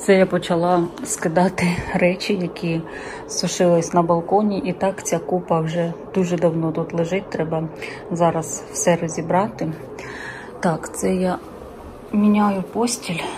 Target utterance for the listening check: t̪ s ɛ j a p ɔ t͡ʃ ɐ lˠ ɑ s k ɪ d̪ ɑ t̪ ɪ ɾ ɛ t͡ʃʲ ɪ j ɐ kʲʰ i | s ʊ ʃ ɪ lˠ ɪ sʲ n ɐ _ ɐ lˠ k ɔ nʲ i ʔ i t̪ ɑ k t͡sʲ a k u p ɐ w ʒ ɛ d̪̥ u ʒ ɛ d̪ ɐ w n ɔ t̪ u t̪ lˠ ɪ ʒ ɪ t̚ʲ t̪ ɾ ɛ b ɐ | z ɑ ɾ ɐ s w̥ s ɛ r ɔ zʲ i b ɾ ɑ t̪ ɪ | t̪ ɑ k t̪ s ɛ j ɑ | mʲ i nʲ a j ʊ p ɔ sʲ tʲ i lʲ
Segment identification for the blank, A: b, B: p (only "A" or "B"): A